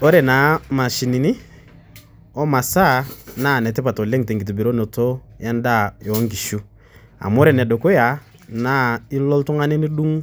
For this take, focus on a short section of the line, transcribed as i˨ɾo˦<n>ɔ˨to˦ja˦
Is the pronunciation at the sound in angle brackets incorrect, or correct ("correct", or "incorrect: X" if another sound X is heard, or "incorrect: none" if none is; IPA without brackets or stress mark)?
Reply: correct